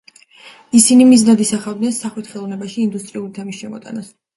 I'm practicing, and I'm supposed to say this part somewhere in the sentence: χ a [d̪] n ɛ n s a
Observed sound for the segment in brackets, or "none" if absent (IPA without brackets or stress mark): d̪